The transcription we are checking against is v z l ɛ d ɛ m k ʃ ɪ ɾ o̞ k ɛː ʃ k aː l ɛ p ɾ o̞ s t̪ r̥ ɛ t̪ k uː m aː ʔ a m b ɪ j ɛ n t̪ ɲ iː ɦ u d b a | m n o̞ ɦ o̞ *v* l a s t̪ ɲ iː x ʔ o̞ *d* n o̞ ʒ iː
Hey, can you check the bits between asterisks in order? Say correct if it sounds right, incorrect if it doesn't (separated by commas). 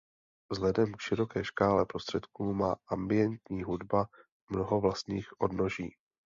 correct, correct